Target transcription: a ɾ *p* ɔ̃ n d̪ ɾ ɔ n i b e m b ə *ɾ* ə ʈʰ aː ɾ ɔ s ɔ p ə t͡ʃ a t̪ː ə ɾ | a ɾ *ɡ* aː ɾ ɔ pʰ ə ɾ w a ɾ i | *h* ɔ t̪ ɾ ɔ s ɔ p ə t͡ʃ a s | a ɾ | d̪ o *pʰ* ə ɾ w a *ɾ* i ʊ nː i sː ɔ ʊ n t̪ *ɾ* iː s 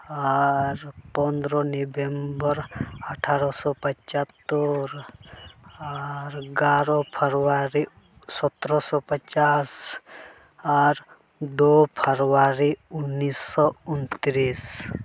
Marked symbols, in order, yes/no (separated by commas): yes, yes, yes, no, yes, yes, yes